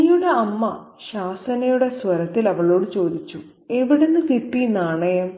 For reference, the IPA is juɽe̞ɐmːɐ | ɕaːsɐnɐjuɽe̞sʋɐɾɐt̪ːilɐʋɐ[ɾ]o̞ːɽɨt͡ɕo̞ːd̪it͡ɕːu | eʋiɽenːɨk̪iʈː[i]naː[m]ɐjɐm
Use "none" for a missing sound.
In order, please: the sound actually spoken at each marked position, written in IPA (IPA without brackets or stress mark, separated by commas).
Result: ɭ, i, ɳ